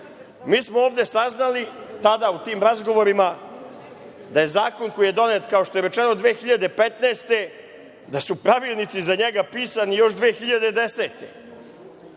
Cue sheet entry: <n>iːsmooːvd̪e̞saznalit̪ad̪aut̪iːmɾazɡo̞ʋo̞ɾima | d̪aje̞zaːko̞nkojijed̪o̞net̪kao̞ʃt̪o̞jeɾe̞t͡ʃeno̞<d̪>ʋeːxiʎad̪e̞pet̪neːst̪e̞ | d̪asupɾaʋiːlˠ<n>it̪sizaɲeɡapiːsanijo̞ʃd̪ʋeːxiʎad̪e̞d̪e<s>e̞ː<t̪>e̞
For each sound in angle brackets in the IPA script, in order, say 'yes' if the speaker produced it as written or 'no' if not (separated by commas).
no, yes, yes, yes, yes